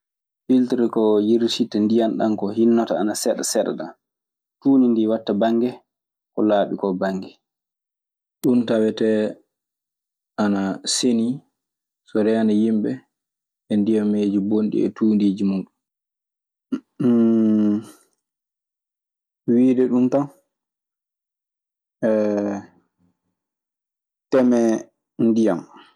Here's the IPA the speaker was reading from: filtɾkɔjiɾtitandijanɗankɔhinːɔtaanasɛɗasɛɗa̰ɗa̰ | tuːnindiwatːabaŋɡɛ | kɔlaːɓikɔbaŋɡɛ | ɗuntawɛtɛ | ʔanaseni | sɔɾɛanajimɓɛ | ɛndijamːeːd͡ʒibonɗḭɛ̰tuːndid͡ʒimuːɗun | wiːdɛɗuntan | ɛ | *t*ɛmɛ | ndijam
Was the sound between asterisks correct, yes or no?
yes